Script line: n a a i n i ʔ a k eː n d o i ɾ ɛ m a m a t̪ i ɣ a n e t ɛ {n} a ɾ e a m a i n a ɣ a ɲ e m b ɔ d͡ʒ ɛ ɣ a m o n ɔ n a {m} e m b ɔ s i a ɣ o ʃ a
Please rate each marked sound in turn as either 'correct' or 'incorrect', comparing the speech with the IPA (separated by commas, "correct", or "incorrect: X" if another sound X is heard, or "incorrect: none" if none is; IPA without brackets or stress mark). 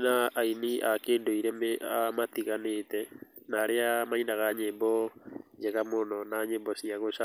correct, incorrect: ɲ